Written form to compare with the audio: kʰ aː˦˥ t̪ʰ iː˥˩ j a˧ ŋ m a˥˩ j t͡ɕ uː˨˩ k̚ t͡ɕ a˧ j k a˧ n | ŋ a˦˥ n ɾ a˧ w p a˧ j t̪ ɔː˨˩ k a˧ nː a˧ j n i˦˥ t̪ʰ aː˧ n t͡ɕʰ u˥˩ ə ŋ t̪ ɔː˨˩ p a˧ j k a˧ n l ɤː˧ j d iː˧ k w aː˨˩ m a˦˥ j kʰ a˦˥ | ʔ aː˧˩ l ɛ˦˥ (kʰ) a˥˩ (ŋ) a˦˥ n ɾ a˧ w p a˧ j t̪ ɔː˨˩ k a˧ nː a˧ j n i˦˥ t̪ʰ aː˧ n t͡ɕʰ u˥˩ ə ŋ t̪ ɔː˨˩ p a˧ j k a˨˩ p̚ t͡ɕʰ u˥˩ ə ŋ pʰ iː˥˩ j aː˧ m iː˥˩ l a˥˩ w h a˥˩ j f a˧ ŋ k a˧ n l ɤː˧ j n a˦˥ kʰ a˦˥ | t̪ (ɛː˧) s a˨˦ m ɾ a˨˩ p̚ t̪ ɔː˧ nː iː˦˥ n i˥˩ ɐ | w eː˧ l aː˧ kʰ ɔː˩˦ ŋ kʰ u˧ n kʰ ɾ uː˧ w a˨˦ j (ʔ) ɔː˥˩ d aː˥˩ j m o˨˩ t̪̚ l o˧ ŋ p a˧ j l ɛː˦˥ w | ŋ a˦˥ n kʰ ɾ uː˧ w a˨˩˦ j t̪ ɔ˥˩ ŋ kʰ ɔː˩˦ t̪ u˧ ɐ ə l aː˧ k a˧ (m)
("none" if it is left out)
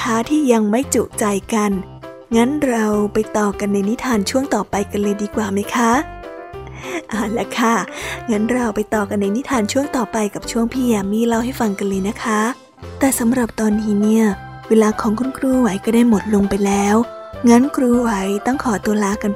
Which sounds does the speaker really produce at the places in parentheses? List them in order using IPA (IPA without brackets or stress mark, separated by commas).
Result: kʰ, ŋ, ɛː˨˩, k, n